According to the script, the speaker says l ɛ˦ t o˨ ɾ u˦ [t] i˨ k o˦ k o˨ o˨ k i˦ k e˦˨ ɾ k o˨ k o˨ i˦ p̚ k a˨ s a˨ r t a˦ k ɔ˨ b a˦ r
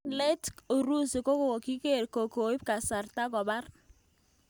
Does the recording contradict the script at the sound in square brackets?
yes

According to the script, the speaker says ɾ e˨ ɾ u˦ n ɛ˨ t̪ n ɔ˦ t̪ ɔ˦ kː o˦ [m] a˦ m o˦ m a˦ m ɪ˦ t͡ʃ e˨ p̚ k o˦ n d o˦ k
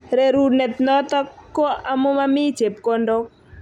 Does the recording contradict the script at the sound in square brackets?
yes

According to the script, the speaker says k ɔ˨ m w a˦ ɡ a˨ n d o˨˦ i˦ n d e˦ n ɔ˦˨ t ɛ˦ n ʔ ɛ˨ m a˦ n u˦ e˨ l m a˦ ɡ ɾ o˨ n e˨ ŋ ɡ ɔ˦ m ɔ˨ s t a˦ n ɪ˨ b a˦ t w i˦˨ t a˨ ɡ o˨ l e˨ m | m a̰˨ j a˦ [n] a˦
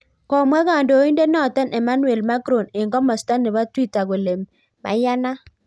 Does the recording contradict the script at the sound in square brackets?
no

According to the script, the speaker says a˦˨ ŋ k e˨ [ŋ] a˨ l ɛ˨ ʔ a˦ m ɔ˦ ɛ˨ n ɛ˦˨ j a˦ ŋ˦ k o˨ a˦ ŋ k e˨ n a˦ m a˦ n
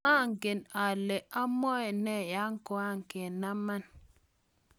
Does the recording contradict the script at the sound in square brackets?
yes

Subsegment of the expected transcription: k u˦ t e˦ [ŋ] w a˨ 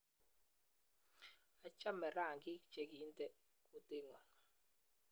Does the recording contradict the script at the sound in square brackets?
no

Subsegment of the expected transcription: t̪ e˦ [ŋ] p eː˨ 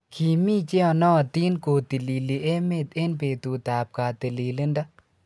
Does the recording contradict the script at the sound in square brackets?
yes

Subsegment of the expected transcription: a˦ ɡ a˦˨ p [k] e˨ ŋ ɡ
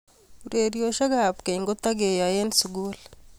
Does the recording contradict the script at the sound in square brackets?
no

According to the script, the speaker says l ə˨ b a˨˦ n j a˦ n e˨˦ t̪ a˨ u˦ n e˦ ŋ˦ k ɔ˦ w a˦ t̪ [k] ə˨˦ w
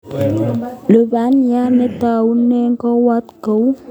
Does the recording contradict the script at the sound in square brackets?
no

